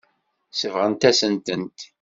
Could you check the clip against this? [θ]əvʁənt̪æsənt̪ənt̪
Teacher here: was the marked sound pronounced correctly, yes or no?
no